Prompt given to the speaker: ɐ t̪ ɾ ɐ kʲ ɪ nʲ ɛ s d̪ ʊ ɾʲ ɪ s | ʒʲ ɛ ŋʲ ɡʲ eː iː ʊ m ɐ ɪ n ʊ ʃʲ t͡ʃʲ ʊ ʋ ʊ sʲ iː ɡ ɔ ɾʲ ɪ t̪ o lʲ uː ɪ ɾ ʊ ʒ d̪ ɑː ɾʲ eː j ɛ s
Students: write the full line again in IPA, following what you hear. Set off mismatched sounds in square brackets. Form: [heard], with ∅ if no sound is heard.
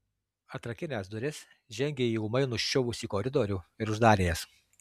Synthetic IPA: ɐ t̪ ɾ ɐ kʲ ɪ nʲ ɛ s d̪ ʊ ɾʲ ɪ s | ʒʲ ɛ ŋʲ ɡʲ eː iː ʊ m ɐ ɪ n ʊ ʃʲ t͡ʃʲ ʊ ʋ ʊ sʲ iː [k] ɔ ɾʲ ɪ [d̪] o [ɾʲ] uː ɪ ɾ ʊ ʒ d̪ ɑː ɾʲ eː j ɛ s